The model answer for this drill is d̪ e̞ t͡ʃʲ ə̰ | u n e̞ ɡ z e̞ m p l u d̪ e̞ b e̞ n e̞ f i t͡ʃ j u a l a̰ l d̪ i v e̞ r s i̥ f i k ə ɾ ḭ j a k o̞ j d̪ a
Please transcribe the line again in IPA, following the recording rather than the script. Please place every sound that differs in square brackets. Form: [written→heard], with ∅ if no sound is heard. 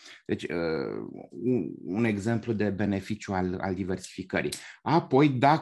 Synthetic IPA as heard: d̪ e̞ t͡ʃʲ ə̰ | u n e̞ ɡ z e̞ m p l u d̪ e̞ b e̞ n e̞ f i t͡ʃ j u a l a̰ l d̪ i v e̞ r s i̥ f i k ə ɾ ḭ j a [k→p] o̞ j d̪ a